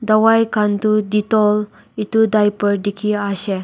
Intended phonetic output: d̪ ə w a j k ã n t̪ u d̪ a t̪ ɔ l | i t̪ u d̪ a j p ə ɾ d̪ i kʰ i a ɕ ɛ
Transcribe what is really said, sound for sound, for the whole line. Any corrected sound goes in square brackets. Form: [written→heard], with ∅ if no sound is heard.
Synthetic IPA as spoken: d̪ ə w a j k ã n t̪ u d̪ [a→i] t̪ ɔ l | i t̪ u d̪ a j p ə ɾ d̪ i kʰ i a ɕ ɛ